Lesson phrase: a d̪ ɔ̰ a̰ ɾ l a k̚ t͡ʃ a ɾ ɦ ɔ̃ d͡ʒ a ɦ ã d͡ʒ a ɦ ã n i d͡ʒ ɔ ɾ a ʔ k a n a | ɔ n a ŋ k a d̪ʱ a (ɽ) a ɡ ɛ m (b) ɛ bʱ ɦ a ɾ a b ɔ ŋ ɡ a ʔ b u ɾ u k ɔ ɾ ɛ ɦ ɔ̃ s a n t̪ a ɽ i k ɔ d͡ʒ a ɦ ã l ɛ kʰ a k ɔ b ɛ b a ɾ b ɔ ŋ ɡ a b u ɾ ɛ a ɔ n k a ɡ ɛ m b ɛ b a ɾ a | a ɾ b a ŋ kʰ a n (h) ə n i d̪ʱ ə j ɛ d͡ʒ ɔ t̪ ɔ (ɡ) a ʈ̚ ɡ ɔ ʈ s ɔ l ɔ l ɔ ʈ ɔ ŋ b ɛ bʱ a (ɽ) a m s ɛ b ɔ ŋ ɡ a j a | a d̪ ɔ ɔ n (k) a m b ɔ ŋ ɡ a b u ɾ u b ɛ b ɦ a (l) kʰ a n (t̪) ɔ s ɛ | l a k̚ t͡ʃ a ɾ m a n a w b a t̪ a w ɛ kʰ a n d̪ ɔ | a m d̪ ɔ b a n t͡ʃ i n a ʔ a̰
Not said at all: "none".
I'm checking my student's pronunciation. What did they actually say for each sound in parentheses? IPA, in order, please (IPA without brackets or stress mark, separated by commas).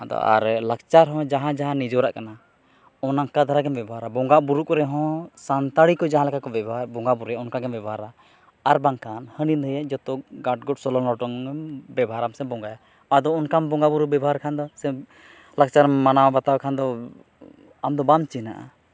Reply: ɾ, b, h, ɡ, ɾ, k, ɾ, d̪